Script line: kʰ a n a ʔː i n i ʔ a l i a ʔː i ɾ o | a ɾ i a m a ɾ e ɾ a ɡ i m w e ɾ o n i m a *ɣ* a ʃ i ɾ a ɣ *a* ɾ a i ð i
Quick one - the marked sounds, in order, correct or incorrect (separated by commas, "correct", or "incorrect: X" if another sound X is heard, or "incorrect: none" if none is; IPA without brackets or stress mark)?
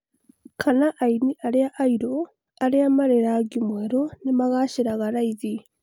correct, correct